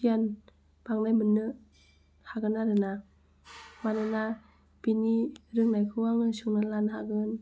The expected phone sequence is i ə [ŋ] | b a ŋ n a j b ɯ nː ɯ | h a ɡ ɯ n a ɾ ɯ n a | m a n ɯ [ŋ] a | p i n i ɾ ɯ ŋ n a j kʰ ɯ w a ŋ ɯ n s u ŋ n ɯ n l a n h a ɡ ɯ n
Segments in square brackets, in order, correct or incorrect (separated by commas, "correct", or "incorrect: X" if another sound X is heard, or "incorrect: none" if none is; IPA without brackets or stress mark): incorrect: n, incorrect: n